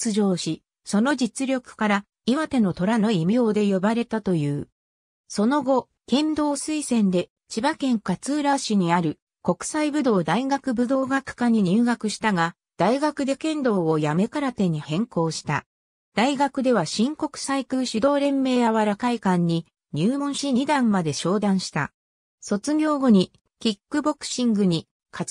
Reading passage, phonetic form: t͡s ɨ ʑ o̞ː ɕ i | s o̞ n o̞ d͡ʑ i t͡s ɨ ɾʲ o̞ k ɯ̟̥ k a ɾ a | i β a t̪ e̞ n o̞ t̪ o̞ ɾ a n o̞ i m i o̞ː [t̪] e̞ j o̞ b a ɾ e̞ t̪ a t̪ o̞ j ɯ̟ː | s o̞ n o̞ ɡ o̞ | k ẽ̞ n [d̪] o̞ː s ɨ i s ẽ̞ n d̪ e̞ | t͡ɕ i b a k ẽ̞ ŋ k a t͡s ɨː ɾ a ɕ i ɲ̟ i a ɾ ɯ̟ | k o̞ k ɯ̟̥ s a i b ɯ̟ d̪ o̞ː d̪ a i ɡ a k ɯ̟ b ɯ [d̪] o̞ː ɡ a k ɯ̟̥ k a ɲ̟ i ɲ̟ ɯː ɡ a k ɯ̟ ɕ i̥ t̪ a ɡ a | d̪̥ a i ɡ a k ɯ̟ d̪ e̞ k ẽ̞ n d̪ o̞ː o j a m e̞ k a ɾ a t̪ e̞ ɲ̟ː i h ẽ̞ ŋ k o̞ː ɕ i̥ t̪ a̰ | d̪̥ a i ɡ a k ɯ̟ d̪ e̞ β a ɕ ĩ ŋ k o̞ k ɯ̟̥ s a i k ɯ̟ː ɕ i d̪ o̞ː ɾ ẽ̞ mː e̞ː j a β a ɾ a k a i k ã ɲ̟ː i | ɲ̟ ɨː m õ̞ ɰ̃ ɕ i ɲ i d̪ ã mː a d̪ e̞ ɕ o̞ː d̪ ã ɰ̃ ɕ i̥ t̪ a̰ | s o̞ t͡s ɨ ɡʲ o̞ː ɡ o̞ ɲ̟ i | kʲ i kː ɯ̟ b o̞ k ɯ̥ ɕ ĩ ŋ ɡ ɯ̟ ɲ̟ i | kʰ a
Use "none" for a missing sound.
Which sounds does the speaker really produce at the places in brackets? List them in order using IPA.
d̪, d̪, d̪

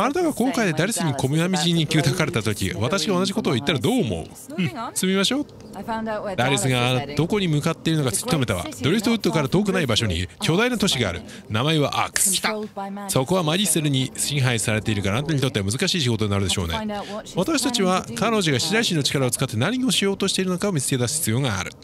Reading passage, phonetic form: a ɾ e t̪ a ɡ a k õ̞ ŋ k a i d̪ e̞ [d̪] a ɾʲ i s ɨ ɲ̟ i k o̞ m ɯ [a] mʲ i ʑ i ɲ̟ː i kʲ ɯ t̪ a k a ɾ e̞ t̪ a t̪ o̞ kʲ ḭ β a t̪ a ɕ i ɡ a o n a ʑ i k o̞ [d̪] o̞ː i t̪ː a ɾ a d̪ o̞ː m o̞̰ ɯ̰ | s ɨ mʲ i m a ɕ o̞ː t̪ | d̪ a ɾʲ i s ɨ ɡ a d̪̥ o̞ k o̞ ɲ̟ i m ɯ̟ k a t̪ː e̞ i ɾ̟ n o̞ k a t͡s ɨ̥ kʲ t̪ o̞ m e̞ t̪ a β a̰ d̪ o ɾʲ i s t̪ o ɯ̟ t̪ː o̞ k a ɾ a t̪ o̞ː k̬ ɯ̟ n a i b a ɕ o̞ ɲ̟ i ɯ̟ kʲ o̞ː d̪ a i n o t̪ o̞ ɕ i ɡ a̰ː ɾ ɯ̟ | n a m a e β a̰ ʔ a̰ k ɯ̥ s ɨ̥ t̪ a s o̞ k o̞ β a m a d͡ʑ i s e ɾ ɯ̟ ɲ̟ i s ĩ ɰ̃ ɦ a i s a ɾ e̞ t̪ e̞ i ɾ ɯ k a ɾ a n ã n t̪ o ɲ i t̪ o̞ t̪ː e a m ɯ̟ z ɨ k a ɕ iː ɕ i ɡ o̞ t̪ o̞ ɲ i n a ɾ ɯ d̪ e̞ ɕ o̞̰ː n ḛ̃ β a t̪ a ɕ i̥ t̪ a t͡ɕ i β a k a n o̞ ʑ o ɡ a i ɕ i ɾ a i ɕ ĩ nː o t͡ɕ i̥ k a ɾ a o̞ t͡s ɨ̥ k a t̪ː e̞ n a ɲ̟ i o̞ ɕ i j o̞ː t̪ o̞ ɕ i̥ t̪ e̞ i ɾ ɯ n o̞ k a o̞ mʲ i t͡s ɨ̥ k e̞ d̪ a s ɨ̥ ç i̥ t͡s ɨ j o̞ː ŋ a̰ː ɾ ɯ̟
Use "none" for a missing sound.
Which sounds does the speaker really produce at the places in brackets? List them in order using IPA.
d̪, a, t̪

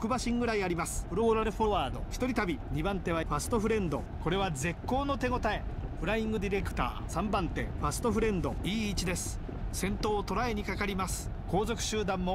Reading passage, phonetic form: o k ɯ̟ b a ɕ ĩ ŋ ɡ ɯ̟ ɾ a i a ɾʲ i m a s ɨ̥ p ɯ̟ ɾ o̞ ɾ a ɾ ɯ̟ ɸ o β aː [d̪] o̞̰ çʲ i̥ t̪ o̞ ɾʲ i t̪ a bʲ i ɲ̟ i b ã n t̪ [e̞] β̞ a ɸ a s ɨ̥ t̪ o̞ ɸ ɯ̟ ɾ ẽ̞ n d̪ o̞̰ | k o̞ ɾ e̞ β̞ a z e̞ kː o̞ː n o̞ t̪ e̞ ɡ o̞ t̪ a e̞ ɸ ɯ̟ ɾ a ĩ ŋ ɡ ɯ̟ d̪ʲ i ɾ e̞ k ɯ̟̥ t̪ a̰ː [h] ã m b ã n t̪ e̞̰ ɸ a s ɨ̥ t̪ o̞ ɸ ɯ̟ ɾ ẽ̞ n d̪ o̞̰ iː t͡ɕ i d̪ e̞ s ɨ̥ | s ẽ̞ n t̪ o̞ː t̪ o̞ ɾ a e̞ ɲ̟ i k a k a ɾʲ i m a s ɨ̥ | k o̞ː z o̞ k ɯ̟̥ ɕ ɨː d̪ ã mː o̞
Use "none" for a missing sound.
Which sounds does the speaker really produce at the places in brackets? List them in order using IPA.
d̪, e̞, s

